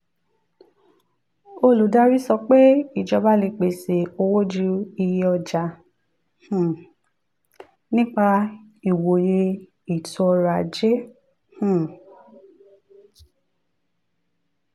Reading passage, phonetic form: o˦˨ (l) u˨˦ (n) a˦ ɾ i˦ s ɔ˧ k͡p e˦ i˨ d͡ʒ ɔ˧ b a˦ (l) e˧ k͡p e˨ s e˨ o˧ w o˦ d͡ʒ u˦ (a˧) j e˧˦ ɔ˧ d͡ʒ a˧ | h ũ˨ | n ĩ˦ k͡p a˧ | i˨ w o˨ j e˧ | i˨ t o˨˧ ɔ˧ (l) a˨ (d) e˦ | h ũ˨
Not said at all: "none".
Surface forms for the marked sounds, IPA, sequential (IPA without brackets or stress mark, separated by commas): l, d, l, i˧, ɾ, d͡ʒ